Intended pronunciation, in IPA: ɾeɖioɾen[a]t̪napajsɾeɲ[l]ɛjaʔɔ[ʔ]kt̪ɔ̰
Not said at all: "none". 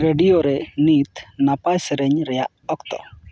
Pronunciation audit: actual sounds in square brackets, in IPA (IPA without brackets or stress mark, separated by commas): i, ɾ, none